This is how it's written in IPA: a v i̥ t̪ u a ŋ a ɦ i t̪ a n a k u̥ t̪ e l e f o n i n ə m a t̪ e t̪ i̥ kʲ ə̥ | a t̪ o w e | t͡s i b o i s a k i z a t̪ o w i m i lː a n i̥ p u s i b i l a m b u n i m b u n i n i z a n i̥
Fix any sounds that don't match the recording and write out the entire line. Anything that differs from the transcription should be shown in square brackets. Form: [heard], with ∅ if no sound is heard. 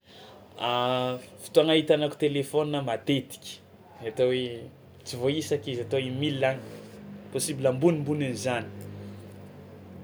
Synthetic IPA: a [f] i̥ t̪ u a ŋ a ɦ i t̪ a n a k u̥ t̪ e l e f o n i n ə m a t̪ e t̪ i̥ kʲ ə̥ | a t̪ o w e | t͡s i [v] o i s a k i z a t̪ o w i m i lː a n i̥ p [o] s i b i l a m b u n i m b u n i n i z a n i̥